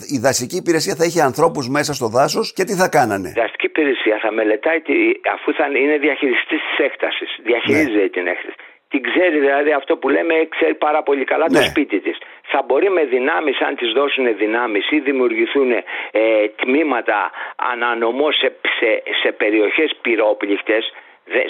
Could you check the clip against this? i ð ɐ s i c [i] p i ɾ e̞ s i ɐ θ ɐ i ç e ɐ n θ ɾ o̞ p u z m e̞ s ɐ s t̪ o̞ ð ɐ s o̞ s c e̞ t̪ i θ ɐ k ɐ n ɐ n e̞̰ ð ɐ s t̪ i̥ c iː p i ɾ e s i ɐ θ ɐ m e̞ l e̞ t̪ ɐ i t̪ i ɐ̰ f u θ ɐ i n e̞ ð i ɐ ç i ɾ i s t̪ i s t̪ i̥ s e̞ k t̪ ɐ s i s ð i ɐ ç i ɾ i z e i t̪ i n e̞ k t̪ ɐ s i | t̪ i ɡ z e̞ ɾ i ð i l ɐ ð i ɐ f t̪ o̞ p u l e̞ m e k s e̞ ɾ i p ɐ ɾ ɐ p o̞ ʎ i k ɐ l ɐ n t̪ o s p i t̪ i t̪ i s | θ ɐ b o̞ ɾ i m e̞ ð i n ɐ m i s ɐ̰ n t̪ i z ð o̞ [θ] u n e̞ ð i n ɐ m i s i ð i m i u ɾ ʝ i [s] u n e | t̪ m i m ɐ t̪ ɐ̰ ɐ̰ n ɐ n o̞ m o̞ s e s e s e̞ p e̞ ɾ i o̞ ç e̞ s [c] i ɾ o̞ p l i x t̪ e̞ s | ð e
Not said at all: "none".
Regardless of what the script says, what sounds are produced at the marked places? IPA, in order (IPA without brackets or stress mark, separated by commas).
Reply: iː, s, θ, p